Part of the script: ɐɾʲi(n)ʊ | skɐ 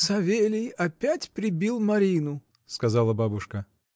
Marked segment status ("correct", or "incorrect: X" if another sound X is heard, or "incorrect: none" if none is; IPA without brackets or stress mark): correct